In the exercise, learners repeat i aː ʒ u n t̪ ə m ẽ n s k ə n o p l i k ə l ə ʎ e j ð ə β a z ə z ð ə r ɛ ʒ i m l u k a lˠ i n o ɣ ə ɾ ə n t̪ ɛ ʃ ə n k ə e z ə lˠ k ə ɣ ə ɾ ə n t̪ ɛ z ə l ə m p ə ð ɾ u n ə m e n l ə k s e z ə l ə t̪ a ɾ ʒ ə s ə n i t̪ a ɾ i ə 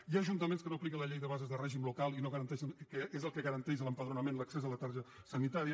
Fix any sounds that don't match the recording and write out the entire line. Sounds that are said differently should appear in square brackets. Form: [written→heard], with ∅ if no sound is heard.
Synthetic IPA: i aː ʒ u n t̪ ə m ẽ n s k ə n o p l i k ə l ə ʎ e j ð ə β a z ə z ð ə r ɛ ʒ i m l u k a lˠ i n o ɣ ə ɾ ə n t̪ ɛ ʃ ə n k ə e z ə lˠ k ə ɣ ə ɾ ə n t̪ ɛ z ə l ə m p ə ð ɾ u n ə m e n l ə k s e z ə l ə t̪ a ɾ ʒ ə s ə n i t̪ a ɾ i ə